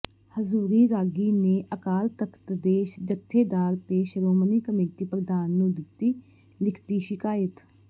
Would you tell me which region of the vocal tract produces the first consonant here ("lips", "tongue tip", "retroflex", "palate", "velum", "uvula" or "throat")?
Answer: throat